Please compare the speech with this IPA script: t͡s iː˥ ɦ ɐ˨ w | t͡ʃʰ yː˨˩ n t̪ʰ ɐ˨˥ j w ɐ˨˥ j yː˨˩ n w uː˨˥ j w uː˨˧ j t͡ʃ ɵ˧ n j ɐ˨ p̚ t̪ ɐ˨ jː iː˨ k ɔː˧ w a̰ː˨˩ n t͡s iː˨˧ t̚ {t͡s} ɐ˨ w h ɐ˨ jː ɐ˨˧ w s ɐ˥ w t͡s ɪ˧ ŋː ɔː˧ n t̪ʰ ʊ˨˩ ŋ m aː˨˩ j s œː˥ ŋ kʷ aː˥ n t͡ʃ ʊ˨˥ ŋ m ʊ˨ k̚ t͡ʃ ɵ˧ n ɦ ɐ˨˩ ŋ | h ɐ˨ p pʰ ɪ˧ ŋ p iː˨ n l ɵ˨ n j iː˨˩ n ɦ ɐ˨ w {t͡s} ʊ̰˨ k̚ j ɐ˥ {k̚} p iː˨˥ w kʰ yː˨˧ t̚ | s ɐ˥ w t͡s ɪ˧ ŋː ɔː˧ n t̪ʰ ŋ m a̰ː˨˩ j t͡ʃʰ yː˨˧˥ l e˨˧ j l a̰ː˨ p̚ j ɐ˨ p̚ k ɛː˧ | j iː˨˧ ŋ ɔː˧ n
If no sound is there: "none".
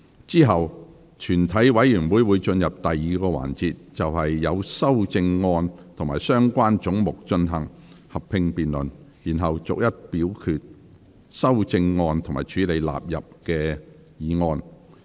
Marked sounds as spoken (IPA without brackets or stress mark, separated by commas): t͡s, t͡s, t̚